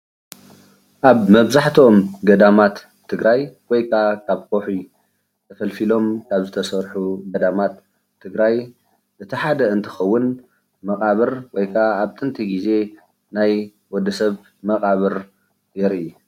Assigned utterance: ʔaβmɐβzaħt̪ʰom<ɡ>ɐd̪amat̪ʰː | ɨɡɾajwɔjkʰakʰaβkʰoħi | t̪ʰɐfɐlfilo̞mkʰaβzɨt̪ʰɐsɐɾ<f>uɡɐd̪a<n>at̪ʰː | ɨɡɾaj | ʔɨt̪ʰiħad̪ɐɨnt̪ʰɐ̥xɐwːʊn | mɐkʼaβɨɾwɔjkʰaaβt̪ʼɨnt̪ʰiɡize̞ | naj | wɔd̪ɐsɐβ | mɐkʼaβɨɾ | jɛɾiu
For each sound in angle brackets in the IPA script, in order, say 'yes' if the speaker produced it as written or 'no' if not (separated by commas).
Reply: yes, no, no